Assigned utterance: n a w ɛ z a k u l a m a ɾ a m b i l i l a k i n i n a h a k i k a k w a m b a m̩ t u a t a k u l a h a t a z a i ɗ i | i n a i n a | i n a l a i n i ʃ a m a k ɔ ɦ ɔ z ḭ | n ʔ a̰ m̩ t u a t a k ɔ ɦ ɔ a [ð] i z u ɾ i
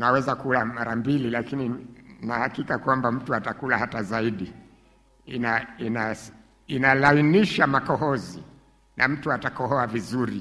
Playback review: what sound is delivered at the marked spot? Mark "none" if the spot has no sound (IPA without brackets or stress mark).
v